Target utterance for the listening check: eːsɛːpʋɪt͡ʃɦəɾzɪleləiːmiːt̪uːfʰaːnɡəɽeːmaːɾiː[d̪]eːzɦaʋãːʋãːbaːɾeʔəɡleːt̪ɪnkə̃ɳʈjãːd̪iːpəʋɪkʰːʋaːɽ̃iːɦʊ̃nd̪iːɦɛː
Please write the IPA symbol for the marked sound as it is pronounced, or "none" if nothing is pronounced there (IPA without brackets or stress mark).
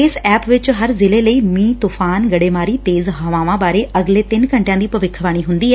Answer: t̪